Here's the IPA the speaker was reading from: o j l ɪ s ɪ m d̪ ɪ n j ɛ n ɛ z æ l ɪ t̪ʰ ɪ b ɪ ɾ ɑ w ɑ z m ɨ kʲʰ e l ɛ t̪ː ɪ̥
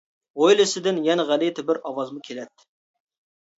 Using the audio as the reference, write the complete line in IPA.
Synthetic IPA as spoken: o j l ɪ s ɪ d̪ ɪ n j ɛ n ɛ ʁ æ l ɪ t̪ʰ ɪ b ɪ ɾ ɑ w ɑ z m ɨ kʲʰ e l ɛ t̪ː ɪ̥